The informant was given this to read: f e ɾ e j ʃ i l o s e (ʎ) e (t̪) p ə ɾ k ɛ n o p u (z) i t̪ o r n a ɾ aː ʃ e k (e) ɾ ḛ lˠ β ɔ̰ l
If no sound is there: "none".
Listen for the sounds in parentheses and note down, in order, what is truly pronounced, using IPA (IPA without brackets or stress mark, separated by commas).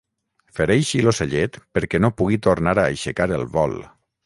ʎ, t̪, ɣ, a